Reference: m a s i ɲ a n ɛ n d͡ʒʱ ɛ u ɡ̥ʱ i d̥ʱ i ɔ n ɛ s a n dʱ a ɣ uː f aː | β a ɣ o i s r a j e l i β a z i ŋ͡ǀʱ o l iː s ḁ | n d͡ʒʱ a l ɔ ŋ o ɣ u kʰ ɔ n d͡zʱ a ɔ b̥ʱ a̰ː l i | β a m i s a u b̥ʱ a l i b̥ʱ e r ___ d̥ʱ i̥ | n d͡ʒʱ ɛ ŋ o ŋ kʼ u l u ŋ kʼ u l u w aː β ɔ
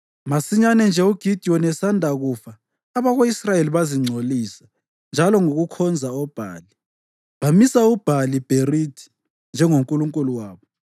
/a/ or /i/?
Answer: i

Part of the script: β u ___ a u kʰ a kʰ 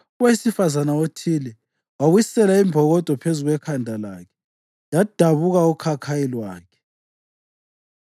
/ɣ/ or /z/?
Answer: ɣ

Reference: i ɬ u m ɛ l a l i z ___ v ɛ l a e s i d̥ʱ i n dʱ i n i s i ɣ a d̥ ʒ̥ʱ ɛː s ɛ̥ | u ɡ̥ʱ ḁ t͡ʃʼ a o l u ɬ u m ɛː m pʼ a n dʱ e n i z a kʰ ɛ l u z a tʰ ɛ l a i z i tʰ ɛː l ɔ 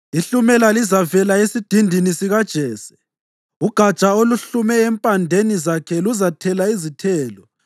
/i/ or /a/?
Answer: a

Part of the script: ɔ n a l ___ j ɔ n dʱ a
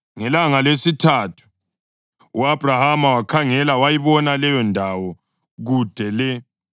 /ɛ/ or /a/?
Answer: ɛ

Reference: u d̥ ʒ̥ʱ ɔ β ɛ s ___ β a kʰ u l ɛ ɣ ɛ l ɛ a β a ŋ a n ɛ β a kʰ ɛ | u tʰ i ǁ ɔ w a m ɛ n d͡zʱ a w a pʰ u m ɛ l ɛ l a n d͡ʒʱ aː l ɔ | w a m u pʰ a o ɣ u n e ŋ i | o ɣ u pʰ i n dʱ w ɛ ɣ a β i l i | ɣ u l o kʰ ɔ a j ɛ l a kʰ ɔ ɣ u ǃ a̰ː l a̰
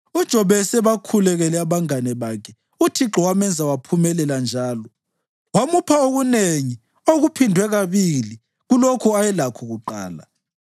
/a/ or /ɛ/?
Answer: ɛ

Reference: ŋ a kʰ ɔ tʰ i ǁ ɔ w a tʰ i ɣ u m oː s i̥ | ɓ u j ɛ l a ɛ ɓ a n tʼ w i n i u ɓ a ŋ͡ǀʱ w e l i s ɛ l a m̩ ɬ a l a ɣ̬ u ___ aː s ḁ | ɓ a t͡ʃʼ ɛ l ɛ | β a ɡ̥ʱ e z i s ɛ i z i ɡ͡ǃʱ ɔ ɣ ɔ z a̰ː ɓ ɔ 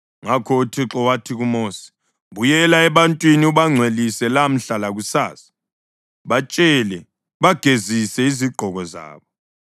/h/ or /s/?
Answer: s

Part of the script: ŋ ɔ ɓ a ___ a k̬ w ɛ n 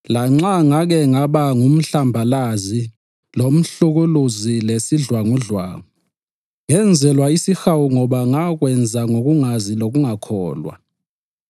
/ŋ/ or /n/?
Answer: ŋ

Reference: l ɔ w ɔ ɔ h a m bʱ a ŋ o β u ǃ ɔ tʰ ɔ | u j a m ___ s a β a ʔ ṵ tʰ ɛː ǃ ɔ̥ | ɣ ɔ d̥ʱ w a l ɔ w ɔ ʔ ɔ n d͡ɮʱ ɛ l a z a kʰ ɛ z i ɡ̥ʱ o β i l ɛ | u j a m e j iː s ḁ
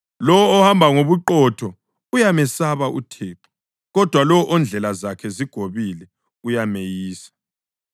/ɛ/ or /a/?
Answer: ɛ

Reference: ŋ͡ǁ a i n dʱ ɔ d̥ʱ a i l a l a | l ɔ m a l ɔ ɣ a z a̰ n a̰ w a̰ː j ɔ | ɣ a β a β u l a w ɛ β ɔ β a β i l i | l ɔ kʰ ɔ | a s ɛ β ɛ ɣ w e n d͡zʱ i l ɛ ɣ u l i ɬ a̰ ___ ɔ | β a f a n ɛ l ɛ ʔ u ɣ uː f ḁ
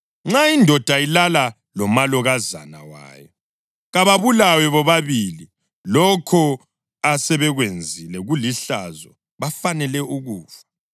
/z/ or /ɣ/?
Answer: z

